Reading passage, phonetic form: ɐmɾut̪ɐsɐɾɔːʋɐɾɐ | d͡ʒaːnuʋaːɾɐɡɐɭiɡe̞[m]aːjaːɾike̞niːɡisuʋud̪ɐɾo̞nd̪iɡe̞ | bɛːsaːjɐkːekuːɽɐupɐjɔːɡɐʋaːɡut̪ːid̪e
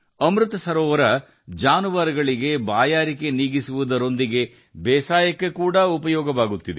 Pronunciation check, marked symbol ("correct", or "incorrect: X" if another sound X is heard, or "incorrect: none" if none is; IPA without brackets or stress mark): incorrect: b